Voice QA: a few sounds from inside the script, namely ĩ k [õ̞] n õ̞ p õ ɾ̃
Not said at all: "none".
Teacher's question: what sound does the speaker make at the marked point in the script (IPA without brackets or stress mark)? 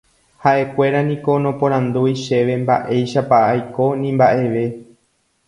o̞